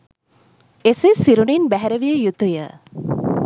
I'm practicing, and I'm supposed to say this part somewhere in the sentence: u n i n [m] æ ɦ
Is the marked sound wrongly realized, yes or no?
yes